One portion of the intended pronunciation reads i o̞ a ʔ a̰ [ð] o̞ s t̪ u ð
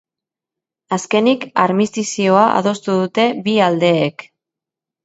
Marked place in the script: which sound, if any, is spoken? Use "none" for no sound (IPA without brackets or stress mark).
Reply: ð